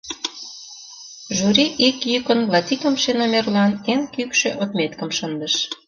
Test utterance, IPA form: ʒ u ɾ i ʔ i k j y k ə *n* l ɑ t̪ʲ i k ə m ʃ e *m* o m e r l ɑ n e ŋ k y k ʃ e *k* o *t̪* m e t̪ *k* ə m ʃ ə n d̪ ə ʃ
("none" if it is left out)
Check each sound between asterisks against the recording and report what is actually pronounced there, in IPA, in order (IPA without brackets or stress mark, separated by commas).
n, n, ʔ, t̪, k